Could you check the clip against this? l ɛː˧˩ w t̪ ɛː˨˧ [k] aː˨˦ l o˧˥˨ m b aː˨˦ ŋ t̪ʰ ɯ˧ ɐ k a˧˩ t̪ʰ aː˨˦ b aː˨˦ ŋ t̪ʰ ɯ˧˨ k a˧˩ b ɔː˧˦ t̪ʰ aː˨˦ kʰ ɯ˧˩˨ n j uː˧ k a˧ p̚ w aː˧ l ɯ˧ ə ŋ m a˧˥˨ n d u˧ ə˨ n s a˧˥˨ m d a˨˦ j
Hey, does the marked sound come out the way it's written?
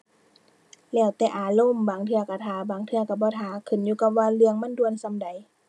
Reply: no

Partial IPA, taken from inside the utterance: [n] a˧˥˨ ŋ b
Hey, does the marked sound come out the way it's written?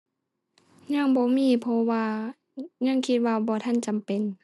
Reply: no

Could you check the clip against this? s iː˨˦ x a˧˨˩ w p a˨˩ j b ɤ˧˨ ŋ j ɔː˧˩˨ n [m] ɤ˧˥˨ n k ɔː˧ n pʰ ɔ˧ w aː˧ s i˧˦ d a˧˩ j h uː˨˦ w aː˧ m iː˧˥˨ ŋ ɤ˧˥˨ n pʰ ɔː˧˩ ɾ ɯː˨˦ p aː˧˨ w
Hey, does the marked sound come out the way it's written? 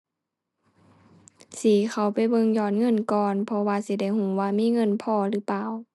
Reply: no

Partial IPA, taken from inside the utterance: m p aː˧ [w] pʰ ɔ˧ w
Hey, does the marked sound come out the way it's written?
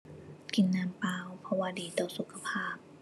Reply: yes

